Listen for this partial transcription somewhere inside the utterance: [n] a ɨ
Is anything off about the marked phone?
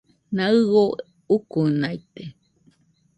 no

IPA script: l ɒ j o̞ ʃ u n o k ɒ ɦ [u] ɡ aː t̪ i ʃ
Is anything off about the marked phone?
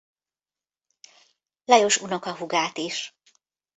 no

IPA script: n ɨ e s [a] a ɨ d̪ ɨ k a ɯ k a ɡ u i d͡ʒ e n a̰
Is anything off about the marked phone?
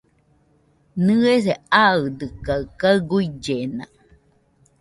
yes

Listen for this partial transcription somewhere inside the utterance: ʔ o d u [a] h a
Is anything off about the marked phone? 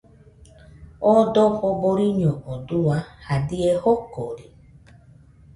no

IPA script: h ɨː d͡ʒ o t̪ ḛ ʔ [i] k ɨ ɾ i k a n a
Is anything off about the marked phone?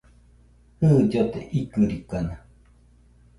no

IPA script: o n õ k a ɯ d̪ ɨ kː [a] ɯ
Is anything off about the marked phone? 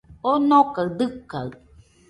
no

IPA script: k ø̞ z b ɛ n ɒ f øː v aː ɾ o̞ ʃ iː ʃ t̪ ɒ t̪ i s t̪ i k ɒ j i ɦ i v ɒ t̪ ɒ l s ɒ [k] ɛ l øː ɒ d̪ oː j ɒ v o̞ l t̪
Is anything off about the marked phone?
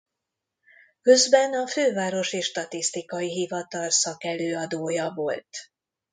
no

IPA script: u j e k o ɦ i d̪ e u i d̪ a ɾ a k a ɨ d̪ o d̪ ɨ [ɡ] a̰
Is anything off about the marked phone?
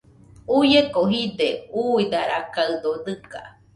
yes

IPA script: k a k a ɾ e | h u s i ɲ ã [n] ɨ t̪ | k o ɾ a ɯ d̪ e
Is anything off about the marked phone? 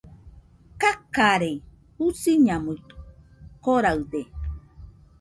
yes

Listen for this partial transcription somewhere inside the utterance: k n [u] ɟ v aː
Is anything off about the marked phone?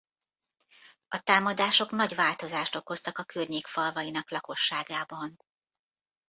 yes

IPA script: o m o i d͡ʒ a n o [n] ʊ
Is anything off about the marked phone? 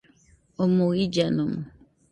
yes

